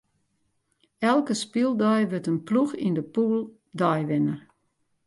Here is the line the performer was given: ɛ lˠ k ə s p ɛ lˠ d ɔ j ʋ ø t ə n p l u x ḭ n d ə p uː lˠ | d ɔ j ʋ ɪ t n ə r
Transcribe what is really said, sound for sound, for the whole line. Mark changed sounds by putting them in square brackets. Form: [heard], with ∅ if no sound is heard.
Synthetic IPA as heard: ɛ lˠ k ə s p [i] lˠ d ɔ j ʋ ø t ə n p l u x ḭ n d ə p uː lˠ | d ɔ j ʋ ɪ [∅] n ə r